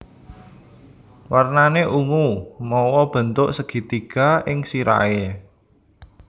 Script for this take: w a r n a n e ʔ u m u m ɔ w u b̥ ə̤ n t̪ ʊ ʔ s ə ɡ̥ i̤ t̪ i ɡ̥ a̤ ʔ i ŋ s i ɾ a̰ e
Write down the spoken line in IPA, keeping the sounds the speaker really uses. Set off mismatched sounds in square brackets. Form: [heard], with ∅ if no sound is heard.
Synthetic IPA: w a r n a n e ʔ u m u m ɔ w [ɔ] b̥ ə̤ n t̪ ʊ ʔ s ə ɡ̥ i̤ t̪ i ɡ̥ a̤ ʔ [ɪ] ŋ s i ɾ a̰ e